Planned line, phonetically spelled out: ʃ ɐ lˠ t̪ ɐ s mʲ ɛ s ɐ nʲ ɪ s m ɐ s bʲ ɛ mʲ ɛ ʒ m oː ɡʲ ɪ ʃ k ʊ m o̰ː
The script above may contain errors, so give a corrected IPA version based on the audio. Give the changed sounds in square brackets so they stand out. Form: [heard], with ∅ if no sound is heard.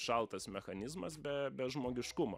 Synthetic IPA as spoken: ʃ ɐ lˠ t̪ ɐ s mʲ ɛ [x] ɐ nʲ ɪ [z] m ɐ s bʲ ɛ [bʲ] ɛ ʒ m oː ɡʲ ɪ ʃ k ʊ m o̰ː